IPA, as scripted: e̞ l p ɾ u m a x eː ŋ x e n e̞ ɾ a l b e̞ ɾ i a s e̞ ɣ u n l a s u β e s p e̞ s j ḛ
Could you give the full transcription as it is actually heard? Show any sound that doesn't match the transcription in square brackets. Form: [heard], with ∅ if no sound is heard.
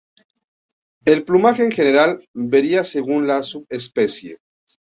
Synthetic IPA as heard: e̞ l p [l] u m a x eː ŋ x e n e̞ ɾ a l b e̞ ɾ i a s e̞ ɣ u n l a s u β e s p e̞ s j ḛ